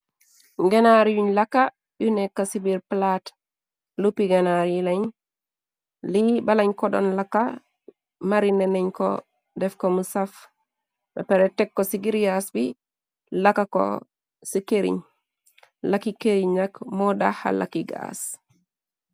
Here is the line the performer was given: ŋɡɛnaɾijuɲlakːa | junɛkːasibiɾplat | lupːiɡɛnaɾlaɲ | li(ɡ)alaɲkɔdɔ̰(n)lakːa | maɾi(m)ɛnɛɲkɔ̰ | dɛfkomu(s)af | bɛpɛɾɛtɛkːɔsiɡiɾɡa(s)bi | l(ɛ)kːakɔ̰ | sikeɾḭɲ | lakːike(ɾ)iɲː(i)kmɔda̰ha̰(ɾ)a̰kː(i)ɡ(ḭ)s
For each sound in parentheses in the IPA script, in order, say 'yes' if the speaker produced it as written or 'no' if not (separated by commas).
no, yes, no, yes, yes, no, yes, no, no, yes, no